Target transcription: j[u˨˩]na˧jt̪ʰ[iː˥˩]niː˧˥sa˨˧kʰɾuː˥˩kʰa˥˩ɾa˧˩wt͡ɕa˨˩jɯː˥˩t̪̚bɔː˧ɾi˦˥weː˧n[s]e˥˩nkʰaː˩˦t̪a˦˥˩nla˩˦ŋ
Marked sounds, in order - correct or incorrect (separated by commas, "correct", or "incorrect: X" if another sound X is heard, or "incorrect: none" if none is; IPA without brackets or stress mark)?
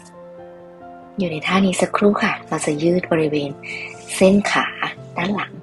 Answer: incorrect: uː˨˩, incorrect: aː˥˩, correct